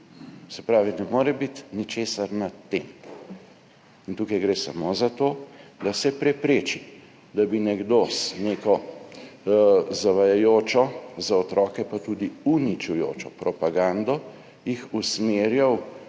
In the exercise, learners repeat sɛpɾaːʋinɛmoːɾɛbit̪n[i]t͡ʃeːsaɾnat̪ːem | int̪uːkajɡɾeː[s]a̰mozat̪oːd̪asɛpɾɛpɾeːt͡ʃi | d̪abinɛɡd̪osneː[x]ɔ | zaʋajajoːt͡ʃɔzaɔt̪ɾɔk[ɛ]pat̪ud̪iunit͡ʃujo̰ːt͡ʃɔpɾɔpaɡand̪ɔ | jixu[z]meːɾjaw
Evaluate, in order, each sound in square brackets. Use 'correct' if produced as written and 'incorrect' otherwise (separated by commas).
correct, correct, incorrect, correct, incorrect